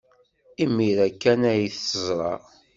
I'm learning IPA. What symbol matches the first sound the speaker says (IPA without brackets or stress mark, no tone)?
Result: i